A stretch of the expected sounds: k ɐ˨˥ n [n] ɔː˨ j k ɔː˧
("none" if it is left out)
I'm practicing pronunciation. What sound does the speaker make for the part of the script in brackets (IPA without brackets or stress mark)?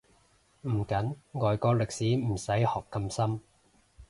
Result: ŋ